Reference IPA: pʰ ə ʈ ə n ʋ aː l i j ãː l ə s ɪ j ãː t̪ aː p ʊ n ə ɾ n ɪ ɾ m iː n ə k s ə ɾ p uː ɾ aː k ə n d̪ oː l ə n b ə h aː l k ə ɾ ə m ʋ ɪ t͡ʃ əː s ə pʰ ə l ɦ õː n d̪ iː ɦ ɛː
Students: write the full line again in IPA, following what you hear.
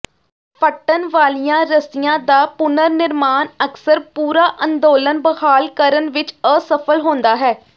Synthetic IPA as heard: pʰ ə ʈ ə n ʋ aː l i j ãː ɾ ə s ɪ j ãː d̪ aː p ʊ n ə ɾ n ɪ ɾ m aː n ə k s ə ɾ p uː ɾ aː ʔ ə n d̪ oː l ə n b ə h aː l k ə ɾ ə n ʋ ɪ t͡ʃ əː s ə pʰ ə l ɦ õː n d̪ aː ɦ ɛː